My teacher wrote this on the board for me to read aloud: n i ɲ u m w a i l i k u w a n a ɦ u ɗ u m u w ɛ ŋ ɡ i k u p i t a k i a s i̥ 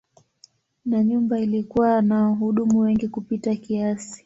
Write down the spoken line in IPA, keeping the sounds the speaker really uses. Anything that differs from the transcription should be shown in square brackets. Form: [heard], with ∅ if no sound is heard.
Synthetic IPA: n [a] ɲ u m [b] a i l i k u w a n a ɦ u ɗ u m u w ɛ ŋ ɡ i k u p i t a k i a s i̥